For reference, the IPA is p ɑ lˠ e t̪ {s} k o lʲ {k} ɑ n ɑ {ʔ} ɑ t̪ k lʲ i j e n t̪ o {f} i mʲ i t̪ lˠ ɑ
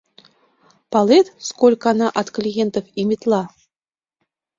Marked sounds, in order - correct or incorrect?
correct, correct, correct, correct

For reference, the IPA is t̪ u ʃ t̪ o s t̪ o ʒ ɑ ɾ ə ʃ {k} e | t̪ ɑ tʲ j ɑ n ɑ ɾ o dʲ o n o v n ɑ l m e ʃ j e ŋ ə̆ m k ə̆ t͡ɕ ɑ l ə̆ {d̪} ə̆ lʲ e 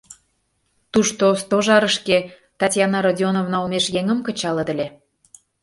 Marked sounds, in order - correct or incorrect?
correct, correct

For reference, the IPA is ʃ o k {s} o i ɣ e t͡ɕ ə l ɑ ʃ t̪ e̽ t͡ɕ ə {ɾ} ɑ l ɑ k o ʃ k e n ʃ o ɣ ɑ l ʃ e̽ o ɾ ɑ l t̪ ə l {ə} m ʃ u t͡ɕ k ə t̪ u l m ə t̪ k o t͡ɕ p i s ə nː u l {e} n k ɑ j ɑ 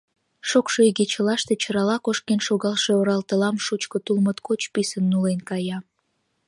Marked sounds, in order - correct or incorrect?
incorrect, correct, incorrect, correct

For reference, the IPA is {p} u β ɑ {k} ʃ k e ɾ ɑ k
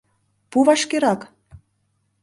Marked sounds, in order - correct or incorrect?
correct, incorrect

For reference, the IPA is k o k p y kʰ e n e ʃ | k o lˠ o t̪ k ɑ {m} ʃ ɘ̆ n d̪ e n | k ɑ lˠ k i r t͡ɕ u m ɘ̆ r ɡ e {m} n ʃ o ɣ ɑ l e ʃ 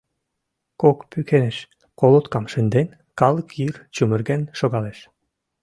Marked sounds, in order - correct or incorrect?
correct, incorrect

